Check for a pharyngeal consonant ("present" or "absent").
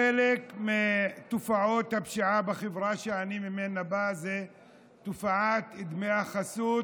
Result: present